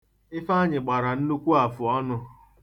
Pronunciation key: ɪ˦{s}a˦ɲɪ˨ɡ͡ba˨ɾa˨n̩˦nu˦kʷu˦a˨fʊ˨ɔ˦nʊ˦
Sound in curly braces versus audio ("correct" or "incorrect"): incorrect